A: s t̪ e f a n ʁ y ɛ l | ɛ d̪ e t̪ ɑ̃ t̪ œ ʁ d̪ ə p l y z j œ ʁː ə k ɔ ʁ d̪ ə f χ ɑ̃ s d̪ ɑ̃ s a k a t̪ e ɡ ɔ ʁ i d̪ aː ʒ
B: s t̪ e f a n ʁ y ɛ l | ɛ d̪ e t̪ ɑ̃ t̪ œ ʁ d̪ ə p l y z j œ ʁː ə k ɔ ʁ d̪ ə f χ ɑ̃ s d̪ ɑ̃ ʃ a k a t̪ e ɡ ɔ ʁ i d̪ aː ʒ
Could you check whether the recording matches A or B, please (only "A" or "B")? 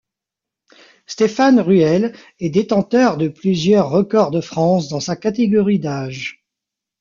A